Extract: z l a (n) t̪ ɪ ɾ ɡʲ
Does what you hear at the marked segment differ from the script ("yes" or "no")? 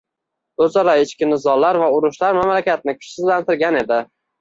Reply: no